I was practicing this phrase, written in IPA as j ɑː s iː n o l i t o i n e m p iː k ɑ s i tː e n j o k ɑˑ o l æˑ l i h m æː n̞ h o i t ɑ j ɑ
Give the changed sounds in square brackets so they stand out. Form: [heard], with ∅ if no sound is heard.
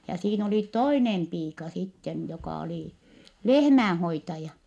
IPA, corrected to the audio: j [ɑ] s iː n o l i t o i n e m p iː k ɑ s i tː e n j o k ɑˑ o l [iˑ] l [e] h m æː n̞ h o i t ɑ j ɑ